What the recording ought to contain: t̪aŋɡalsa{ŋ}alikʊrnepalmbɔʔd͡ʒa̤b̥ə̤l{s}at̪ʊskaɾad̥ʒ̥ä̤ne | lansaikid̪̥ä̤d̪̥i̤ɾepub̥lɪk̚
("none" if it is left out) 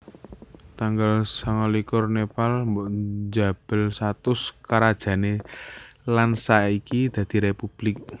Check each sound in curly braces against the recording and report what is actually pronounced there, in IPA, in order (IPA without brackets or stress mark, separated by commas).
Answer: ŋ, s